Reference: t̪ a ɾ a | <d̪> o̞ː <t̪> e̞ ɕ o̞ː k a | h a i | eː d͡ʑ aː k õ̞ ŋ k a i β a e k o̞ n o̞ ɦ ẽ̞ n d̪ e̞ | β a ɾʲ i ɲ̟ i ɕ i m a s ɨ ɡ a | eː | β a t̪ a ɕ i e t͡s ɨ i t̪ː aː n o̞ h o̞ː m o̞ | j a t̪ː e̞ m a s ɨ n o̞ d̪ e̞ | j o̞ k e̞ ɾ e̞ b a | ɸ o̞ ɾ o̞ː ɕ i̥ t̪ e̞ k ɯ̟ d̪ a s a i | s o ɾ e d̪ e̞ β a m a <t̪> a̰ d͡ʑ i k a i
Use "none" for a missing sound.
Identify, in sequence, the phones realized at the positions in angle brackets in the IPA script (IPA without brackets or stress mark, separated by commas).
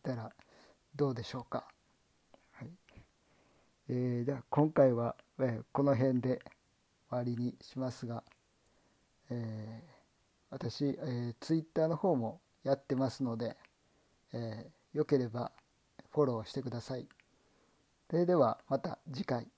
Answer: d̪, d̪, t̪